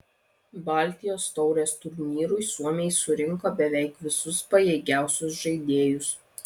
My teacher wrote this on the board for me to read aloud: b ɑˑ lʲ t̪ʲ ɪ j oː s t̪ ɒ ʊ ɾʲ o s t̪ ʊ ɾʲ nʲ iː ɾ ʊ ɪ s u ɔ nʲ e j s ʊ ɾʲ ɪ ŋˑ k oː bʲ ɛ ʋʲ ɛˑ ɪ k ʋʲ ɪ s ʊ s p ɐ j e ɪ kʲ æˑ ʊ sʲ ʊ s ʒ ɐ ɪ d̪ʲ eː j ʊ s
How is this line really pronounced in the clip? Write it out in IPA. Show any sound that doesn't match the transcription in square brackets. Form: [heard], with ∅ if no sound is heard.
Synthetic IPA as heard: b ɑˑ lʲ t̪ʲ ɪ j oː s t̪ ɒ ʊ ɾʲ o s t̪ ʊ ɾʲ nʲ iː ɾ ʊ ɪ s u ɔ [mʲ] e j s ʊ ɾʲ ɪ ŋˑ k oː bʲ ɛ ʋʲ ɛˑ ɪ k ʋʲ ɪ s ʊ s p ɐ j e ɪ [ɡʲ] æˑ ʊ sʲ ʊ s ʒ ɐ ɪ d̪ʲ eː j ʊ s